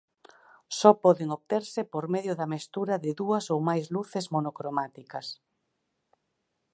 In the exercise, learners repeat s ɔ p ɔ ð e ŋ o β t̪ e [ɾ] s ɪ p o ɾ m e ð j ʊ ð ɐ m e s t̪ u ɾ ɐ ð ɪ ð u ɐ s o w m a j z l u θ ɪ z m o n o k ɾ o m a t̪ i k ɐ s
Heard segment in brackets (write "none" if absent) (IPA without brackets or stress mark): ɾ